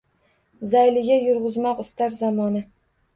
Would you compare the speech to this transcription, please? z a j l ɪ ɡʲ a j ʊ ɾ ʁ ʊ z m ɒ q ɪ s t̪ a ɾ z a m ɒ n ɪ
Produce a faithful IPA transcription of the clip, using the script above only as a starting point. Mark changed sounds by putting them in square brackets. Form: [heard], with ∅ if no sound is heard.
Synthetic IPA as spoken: z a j l ɪ ɡʲ a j ʊ ɾ ʁ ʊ z m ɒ q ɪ s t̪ a ɾ z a m ɒ n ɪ